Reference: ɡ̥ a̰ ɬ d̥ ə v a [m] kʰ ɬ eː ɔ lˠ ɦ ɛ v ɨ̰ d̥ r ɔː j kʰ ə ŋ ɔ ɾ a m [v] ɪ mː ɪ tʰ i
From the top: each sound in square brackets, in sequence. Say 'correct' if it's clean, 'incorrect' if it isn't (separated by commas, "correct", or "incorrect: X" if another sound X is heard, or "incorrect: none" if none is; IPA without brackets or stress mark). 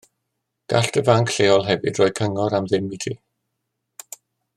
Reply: incorrect: ŋ, incorrect: ð